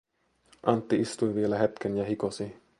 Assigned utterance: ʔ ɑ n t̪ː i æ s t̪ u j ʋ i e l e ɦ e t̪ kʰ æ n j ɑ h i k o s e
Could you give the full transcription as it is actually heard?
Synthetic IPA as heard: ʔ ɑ n t̪ː i i s t̪ u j ʋ i e l æ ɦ e t̪ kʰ e n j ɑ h i k o s i